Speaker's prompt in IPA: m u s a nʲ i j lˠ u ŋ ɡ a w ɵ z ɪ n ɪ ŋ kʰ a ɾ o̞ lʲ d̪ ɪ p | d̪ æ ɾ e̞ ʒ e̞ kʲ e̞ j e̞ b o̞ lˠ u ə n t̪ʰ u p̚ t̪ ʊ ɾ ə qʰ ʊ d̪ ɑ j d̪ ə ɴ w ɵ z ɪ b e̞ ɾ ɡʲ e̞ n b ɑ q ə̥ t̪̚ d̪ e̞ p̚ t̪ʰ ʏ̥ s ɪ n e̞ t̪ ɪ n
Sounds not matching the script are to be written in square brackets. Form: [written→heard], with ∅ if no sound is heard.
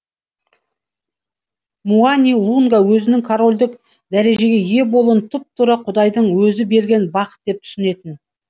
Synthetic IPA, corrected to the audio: m u [s→∅] a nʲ i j lˠ u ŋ ɡ a w ɵ z ɪ n ɪ ŋ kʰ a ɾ o̞ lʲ d̪ ɪ [p→k] | d̪ æ ɾ e̞ ʒ e̞ [kʲ→ɡʲ] e̞ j e̞ b o̞ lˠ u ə n t̪ʰ [u→ʊ] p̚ t̪ ʊ ɾ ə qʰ ʊ d̪ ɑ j d̪ ə ɴ w ɵ z ɪ b e̞ ɾ ɡʲ e̞ n b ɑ q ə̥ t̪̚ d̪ e̞ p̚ t̪ʰ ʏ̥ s ɪ n e̞ t̪ ɪ n